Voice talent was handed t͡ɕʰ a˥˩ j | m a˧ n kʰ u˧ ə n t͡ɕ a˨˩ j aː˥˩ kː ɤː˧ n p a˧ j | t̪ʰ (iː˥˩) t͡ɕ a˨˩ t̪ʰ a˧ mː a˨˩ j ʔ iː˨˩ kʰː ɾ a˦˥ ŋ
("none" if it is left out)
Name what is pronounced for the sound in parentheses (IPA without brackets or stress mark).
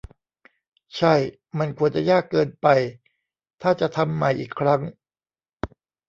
aː˥˩